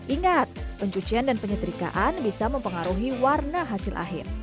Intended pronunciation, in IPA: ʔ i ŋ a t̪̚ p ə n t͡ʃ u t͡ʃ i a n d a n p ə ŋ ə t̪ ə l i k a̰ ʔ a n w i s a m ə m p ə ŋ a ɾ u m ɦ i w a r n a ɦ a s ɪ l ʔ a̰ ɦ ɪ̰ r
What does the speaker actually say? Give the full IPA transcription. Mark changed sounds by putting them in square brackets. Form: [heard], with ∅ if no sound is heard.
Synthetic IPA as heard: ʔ i ŋ a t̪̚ p ə [ɲ] t͡ʃ u t͡ʃ i a n d a n p ə [ɲ] ə t̪ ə [ɾ] i k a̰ ʔ a n [b] i s a m ə m p ə ŋ a ɾ u [∅] ɦ i w a r n a ɦ a s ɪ l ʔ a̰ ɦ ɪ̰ r